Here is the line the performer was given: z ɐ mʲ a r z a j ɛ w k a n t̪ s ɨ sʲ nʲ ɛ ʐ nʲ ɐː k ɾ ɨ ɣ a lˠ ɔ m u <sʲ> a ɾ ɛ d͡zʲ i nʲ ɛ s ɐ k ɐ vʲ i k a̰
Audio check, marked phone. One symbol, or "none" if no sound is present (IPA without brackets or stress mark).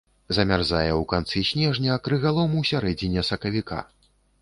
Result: sʲ